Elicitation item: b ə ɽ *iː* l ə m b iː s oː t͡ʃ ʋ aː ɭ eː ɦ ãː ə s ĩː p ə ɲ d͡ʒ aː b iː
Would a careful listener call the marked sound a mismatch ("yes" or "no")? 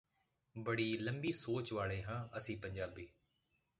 no